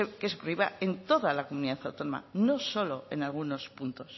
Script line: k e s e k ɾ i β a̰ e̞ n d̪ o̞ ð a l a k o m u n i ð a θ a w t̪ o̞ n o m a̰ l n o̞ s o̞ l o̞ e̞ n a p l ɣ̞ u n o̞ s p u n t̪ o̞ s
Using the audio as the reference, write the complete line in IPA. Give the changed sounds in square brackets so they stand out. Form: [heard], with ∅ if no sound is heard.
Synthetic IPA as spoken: k e s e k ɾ i β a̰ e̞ n [t̪] o̞ ð a l a k o m u n i ð a θ a w t̪ o̞ n o m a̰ [∅] n o̞ s o̞ l o̞ e̞ n a [∅] l ɣ̞ u n o̞ s p u n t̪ o̞ s